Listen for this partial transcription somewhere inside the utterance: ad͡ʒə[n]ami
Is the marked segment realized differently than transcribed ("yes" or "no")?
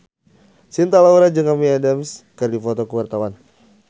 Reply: yes